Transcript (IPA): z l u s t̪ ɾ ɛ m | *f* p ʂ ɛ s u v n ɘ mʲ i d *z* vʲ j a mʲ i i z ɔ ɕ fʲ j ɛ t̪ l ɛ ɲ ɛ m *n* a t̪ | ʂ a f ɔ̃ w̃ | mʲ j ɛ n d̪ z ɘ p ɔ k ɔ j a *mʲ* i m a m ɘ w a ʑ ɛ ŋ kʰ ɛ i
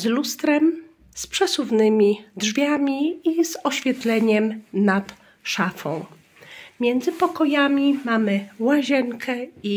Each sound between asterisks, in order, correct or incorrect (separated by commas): incorrect, incorrect, correct, correct